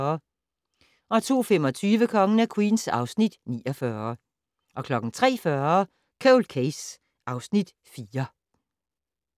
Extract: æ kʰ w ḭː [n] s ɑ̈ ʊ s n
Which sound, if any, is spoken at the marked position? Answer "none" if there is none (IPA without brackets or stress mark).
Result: n